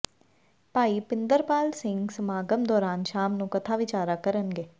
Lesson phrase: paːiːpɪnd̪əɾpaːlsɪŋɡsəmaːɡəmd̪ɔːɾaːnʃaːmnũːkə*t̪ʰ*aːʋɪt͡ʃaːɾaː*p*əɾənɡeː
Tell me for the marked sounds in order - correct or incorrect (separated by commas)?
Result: correct, incorrect